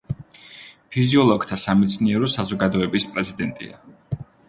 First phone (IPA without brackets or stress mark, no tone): pʰ